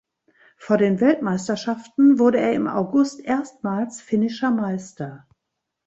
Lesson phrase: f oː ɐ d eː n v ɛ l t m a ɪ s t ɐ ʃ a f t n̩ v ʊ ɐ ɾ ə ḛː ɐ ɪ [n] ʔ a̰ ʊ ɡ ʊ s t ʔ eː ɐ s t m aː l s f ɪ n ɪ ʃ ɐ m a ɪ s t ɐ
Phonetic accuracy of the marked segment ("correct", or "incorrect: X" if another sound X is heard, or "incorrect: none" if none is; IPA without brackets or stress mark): incorrect: m